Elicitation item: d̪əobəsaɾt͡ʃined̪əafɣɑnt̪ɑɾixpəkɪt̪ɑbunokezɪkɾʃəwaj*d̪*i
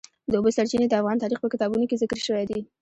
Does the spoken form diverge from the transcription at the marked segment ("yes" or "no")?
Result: no